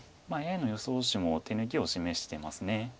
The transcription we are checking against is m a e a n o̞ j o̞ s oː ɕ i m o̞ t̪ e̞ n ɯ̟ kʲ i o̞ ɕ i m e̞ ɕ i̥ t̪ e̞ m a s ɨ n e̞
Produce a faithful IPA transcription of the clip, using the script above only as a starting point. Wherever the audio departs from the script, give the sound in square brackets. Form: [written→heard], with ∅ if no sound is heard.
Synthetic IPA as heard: m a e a n o̞ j o̞ s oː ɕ i m o̞ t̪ e̞ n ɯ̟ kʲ i o̞ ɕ i m e̞ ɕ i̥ t̪ e̞ m a s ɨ n e̞